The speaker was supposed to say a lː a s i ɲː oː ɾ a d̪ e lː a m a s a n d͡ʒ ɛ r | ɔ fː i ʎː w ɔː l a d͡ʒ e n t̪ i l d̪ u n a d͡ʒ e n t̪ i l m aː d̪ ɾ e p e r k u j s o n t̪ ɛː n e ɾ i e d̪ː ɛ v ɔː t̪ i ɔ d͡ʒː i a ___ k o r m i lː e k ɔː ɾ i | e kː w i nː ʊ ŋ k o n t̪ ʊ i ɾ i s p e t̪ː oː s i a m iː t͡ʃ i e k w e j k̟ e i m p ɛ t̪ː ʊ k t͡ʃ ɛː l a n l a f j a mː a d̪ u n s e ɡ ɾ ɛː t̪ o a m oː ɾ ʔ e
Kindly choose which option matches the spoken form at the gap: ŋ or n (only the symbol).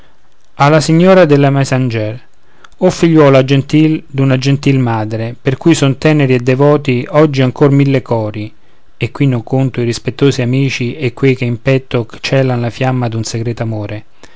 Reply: ŋ